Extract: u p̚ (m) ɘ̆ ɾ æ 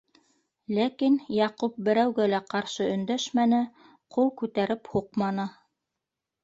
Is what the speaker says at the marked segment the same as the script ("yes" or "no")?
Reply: no